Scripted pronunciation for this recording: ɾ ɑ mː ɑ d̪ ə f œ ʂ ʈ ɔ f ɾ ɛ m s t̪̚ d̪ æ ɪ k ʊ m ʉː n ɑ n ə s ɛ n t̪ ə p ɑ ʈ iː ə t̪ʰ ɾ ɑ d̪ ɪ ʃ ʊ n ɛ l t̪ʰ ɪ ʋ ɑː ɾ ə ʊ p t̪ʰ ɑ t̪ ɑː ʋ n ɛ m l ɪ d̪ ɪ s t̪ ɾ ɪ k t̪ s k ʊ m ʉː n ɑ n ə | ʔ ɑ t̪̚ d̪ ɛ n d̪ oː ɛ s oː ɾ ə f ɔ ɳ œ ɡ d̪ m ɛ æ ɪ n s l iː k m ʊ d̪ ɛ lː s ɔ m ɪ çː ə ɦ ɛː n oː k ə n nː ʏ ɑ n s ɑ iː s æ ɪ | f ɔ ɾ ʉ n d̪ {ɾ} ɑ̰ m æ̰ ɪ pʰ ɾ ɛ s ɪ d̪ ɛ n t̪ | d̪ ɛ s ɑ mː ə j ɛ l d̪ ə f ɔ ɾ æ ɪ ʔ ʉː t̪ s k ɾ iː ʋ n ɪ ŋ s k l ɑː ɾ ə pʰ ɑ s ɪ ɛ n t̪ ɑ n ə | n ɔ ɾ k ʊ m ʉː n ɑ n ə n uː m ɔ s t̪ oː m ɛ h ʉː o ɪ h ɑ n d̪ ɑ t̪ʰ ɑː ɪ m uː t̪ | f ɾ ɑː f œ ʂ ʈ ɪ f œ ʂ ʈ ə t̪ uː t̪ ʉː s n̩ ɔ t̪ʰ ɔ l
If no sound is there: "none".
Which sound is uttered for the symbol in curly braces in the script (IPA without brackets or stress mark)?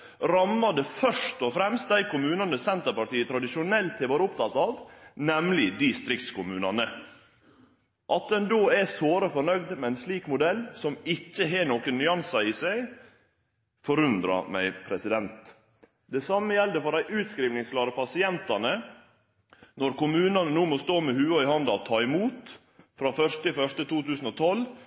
ɾ